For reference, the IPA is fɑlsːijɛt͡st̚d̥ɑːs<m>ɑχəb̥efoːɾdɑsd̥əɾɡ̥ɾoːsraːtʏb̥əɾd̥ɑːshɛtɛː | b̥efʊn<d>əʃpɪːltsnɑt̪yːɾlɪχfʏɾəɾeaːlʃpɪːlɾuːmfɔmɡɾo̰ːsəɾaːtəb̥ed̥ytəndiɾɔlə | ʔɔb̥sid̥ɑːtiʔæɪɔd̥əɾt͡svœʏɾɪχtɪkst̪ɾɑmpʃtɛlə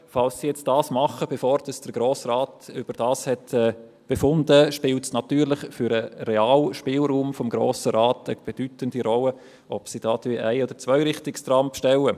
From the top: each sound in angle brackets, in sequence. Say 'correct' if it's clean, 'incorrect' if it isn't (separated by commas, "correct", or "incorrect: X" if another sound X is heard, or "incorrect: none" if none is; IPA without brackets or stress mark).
correct, correct